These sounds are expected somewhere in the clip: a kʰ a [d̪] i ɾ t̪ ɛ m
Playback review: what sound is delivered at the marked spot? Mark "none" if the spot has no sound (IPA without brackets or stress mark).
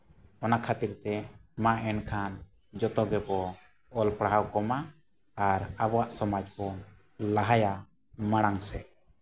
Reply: t̪